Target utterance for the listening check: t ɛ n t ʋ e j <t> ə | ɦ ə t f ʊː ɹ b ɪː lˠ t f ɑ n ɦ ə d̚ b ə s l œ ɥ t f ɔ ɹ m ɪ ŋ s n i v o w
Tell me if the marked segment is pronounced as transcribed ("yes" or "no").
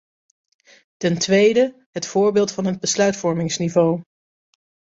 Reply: no